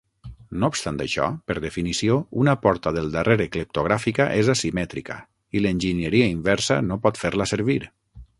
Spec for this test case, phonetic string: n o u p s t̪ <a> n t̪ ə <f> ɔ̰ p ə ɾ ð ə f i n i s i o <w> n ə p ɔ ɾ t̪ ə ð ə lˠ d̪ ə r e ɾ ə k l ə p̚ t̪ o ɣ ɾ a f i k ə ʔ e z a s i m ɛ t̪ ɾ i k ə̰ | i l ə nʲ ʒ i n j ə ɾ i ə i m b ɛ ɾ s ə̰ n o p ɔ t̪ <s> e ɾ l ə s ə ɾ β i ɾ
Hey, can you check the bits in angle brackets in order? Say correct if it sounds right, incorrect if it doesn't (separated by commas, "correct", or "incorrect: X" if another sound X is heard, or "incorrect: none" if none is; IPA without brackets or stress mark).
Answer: correct, incorrect: ʃ, incorrect: u, incorrect: f